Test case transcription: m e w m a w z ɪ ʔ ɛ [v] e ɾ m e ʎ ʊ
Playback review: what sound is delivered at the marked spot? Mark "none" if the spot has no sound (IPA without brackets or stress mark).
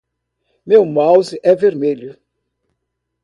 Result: v